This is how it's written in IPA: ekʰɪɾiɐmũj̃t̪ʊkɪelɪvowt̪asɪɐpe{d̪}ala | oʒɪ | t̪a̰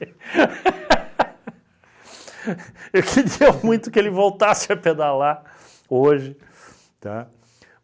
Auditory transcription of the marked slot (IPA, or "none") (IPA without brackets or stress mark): d̪